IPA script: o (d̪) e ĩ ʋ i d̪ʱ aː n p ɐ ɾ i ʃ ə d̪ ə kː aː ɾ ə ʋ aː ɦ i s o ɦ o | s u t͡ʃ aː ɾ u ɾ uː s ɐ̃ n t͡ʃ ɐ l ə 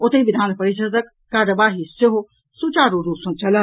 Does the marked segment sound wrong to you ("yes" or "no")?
yes